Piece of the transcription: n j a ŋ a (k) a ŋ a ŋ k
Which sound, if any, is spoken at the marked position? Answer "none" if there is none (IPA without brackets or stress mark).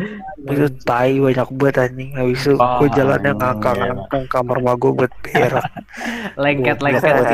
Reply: k